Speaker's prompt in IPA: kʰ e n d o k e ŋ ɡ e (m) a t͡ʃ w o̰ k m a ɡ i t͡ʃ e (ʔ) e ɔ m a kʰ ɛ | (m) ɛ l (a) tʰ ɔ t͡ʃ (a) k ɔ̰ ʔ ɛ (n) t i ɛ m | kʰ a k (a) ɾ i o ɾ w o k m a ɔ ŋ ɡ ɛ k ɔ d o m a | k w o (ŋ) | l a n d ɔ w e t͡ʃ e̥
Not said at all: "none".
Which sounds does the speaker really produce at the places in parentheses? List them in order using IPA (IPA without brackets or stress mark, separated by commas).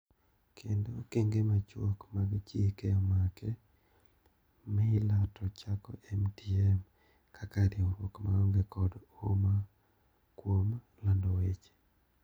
m, k, m, a, a, m, a, m